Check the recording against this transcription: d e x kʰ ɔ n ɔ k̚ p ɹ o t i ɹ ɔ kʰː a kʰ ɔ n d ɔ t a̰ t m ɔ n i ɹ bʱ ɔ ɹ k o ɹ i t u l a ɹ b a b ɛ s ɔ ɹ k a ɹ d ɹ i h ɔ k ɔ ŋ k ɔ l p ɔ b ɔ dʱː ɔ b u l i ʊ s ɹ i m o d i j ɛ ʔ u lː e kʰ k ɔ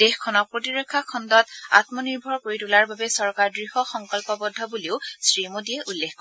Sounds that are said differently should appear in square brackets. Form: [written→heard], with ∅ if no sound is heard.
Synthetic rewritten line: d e x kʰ ɔ n ɔ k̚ p ɹ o t i ɹ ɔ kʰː a kʰ ɔ n d ɔ t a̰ t m ɔ n i ɹ bʱ ɔ ɹ k o ɹ i t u l a ɹ b a b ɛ s ɔ ɹ k a ɹ d ɹ i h ɔ [k→x] ɔ ŋ k ɔ l p ɔ b ɔ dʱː ɔ b u l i ʊ s ɹ i m o d i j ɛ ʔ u lː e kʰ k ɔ